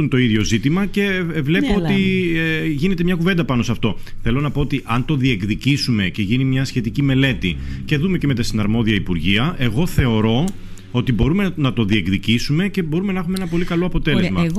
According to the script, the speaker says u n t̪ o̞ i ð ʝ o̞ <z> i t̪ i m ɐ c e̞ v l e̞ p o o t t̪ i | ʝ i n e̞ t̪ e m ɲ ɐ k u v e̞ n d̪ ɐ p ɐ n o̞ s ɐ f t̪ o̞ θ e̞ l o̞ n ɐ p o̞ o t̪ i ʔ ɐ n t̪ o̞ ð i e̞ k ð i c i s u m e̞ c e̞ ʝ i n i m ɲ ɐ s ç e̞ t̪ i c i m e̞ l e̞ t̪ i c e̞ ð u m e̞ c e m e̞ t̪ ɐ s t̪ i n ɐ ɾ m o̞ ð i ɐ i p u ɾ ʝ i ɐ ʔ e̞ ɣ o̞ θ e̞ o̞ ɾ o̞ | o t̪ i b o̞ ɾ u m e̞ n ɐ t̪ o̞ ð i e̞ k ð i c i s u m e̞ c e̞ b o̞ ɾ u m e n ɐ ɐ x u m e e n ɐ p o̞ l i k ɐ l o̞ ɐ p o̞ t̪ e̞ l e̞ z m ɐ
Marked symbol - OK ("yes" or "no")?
yes